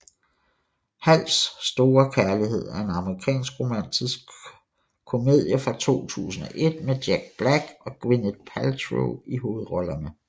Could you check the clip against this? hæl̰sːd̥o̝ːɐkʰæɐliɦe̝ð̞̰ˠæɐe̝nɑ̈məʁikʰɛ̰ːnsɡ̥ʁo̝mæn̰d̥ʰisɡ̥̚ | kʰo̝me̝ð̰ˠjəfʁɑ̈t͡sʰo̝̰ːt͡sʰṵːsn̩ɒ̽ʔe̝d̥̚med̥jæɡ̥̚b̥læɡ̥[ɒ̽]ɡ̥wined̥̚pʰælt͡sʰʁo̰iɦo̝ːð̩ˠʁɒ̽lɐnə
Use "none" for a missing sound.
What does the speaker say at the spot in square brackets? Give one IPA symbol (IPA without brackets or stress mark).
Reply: ɒ̽